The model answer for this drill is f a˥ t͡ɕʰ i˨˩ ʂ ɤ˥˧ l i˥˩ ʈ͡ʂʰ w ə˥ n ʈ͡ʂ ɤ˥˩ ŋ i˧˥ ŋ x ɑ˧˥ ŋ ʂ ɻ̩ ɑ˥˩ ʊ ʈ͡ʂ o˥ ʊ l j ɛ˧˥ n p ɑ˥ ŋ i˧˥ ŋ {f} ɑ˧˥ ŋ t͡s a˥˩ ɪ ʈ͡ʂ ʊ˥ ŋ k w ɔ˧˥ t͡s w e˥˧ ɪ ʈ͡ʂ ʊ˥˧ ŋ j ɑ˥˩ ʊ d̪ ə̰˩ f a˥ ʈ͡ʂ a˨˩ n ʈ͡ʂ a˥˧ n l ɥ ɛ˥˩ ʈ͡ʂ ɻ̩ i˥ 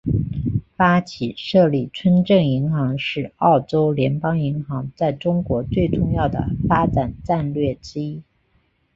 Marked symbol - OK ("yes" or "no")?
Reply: no